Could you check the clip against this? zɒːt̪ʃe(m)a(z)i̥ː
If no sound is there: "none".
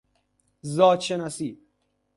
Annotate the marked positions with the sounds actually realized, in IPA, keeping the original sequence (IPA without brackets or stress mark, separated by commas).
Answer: n, s